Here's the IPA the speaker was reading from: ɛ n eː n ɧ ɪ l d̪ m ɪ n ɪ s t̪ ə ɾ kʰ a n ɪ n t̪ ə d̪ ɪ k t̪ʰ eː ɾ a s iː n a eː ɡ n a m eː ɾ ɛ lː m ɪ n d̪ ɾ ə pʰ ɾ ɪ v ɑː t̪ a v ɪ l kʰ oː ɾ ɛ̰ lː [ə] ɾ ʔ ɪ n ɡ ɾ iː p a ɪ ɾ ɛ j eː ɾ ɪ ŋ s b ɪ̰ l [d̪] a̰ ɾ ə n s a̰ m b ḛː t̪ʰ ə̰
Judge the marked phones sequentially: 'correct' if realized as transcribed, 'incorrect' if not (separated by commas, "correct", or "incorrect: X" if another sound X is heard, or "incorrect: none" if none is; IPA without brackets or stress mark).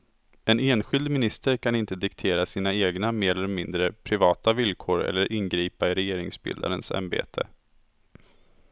correct, correct